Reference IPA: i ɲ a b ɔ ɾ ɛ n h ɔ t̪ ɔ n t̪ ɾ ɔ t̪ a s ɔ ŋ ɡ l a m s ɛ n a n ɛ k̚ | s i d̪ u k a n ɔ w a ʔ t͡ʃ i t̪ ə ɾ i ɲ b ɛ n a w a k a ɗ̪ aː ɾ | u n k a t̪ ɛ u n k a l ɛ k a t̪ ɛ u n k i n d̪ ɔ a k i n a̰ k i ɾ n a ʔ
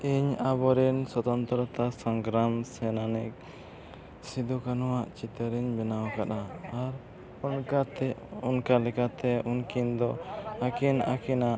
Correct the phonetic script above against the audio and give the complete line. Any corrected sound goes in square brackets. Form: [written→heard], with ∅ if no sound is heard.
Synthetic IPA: i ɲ a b ɔ ɾ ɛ n [h→s] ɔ t̪ ɔ n t̪ ɾ ɔ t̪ a s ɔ ŋ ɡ [l→ɾ] a m s ɛ n a n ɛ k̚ | s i d̪ u k a n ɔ w a ʔ t͡ʃ i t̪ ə ɾ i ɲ b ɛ n a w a k a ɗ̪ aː ɾ | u n k a t̪ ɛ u n k a l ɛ k a t̪ ɛ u n k i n d̪ ɔ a k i n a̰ k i [ɾ→∅] n a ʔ